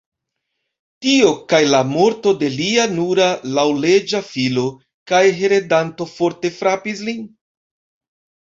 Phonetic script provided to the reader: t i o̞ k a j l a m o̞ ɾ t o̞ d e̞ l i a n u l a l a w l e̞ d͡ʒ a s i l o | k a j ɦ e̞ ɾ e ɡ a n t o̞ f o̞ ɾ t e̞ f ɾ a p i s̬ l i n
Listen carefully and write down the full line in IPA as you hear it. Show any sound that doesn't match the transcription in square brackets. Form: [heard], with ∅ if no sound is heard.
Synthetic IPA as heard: t i o̞ k a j l a m o̞ ɾ t o̞ d e̞ l i a n u [ɾ] a l a w l e̞ d͡ʒ a [f] i l o | k a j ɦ e̞ ɾ e [d] a n t o̞ f o̞ ɾ t e̞ f ɾ a p i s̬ l i n